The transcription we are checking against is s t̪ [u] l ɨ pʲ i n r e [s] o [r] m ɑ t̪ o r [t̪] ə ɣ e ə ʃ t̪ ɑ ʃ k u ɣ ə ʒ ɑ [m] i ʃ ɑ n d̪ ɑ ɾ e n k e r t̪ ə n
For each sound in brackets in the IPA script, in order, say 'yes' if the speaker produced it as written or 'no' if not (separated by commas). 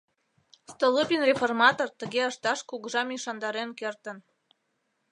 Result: no, no, yes, yes, yes